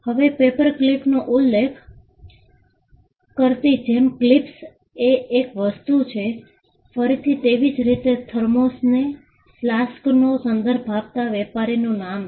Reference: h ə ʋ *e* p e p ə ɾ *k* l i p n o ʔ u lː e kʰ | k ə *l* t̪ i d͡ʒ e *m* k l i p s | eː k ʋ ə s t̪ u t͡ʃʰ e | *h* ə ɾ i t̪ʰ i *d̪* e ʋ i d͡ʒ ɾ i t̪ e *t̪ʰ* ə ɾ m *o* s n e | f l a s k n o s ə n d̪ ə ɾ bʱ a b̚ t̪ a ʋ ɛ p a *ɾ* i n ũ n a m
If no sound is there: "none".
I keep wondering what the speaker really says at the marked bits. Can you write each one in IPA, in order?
e, k, ɾ, m, f, t̪, t̪ʰ, o, ɾ

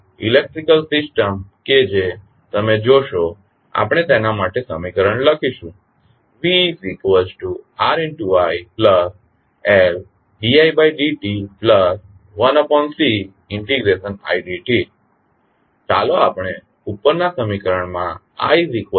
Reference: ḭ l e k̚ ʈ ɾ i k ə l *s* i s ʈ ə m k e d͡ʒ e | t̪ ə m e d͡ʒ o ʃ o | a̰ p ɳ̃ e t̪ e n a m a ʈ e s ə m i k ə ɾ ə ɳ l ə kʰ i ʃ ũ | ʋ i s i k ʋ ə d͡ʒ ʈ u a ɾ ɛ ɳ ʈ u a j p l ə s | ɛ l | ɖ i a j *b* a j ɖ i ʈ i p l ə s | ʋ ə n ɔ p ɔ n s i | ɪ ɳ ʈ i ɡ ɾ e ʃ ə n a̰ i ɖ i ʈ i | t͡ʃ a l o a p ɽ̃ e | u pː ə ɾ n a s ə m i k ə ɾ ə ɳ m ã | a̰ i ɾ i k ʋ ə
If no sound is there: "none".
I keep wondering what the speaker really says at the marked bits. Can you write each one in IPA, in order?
s, b

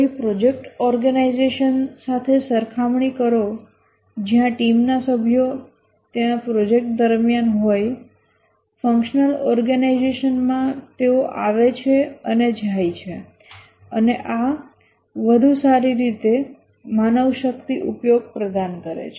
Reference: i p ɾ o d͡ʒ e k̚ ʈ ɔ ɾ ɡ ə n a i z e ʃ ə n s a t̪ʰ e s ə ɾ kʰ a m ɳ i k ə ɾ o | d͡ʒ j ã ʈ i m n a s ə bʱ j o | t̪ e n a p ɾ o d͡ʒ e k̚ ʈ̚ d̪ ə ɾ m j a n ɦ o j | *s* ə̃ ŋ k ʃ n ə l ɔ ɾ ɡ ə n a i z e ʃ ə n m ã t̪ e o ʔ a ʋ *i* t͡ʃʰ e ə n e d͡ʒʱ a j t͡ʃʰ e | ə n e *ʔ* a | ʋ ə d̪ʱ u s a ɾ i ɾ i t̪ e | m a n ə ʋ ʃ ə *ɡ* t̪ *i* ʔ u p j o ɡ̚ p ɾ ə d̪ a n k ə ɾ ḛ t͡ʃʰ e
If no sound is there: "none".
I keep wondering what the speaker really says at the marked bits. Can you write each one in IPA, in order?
f, e, ʔ, k, i

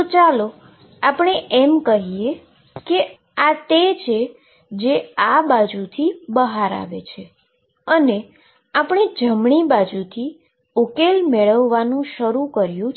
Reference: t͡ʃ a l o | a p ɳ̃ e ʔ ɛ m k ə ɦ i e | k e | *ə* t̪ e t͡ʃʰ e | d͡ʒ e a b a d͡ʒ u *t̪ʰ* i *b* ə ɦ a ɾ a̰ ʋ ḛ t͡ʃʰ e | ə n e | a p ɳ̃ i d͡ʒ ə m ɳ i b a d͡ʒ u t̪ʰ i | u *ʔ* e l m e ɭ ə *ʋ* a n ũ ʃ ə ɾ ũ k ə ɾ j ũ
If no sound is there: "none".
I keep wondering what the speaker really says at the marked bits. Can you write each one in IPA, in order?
a, t̪ʰ, b, k, ʋː

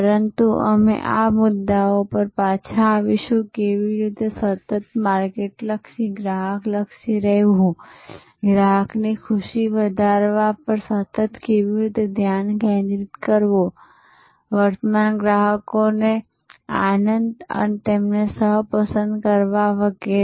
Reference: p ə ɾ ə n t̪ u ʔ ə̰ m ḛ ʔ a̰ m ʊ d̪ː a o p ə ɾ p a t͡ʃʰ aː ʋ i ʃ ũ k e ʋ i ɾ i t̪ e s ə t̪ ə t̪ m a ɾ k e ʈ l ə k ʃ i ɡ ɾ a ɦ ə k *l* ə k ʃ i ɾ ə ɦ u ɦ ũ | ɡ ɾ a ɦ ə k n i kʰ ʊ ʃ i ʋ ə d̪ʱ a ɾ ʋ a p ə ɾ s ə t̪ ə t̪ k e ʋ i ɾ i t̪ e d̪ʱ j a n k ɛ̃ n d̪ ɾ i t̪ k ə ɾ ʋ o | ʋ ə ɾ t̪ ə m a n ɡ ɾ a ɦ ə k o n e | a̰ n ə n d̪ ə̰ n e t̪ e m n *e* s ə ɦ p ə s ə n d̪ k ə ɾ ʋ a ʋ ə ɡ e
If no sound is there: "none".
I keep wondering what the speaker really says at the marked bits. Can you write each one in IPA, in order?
l, e

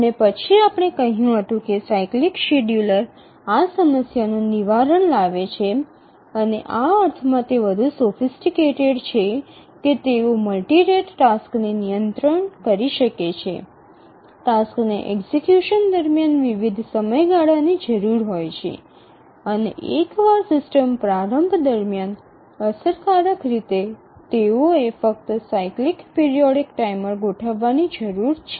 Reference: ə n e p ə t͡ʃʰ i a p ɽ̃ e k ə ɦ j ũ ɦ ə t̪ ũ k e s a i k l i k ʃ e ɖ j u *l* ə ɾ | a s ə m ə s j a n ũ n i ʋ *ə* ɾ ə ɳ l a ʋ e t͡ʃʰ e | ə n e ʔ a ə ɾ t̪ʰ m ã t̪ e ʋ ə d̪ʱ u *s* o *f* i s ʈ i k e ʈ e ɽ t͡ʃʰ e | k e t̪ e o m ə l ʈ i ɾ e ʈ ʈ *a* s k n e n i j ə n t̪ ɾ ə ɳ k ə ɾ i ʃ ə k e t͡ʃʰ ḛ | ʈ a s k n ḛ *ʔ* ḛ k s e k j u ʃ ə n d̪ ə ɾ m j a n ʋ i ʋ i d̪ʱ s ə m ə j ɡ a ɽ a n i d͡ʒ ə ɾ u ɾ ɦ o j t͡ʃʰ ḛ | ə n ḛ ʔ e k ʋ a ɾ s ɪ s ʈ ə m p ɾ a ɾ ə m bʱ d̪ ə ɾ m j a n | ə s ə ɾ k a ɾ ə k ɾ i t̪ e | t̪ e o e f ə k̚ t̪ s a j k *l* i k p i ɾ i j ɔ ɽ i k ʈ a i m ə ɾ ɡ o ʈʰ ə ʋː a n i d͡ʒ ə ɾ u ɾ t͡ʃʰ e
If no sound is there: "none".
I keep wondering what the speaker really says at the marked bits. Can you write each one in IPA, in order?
l, a, s, f, a, ʔ, l

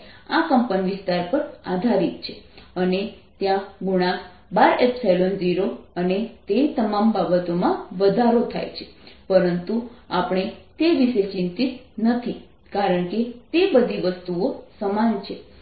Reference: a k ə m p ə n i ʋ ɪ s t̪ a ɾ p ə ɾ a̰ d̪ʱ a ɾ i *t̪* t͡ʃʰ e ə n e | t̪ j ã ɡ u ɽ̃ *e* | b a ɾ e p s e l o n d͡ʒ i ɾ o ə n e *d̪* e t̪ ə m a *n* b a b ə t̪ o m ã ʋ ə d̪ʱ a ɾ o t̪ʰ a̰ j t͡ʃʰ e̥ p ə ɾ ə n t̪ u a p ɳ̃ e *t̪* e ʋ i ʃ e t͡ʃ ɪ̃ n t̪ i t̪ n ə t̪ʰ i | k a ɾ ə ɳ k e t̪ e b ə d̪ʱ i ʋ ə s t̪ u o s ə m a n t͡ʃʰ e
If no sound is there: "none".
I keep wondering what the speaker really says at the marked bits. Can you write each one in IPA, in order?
t̪, a, t̪, m, t̪

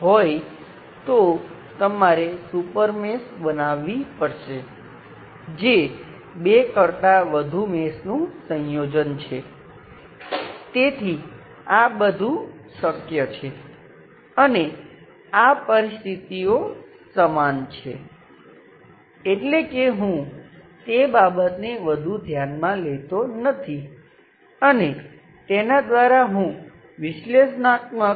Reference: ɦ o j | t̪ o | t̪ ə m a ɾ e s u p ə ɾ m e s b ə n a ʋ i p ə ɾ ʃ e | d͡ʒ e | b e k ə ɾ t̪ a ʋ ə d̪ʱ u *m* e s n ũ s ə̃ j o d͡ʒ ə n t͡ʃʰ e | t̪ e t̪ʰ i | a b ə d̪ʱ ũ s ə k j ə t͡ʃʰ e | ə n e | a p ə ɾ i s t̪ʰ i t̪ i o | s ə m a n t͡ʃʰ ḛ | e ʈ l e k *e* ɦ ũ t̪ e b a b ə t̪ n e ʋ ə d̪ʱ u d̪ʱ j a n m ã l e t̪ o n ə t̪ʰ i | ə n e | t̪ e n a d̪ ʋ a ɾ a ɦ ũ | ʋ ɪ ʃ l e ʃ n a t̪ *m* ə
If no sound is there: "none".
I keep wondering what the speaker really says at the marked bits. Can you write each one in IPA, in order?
m, e, m

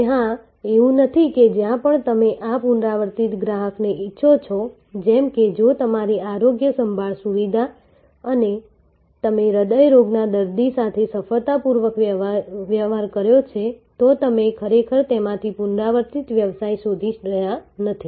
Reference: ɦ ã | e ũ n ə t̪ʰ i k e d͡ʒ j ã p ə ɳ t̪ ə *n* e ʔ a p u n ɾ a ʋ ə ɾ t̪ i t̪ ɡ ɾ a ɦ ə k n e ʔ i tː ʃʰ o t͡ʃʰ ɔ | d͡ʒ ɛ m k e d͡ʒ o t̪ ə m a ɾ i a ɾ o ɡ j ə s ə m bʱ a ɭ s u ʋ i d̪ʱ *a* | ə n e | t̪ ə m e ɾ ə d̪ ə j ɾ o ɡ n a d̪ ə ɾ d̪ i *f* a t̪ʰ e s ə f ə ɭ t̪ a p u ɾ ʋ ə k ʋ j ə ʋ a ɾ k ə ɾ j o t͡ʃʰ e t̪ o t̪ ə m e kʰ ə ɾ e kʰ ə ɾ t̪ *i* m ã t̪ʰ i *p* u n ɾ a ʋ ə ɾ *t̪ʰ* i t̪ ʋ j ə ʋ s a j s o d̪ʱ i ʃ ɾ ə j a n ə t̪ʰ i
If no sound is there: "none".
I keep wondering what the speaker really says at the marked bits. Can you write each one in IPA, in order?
m, a, s, e, p, t̪

